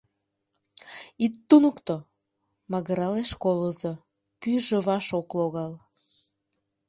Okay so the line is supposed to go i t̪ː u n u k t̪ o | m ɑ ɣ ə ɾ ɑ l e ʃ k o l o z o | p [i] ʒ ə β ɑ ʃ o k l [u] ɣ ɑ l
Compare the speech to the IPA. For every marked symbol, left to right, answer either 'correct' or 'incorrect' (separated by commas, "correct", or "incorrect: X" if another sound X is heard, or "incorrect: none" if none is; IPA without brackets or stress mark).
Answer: incorrect: y, incorrect: o